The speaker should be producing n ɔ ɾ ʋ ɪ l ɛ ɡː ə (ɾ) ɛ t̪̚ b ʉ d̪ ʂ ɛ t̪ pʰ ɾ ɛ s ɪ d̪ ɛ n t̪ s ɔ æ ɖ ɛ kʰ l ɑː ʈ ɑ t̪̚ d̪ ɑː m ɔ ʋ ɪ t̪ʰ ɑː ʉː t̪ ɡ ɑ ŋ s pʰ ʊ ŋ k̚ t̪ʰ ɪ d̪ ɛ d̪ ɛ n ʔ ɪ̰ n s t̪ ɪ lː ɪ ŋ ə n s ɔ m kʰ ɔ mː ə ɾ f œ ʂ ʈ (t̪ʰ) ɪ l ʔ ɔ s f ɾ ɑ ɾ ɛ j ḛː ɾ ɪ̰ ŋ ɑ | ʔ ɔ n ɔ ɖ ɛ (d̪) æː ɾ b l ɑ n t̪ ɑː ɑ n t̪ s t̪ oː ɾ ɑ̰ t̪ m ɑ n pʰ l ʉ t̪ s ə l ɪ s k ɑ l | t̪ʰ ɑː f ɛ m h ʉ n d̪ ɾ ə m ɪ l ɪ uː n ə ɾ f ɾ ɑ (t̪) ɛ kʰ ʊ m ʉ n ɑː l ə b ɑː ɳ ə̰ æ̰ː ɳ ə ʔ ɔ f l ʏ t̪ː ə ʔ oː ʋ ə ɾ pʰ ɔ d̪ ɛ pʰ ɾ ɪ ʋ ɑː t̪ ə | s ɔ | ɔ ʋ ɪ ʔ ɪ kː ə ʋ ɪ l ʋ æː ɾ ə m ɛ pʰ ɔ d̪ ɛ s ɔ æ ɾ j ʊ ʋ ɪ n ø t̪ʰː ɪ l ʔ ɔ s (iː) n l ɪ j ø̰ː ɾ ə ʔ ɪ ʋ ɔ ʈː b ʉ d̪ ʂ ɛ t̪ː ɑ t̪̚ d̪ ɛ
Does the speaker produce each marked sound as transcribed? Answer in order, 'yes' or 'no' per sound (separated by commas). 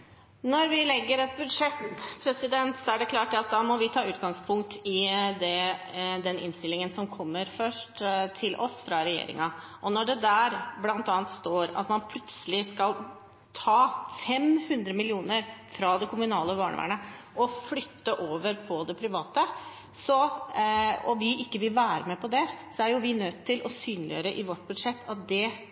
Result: yes, yes, yes, no, no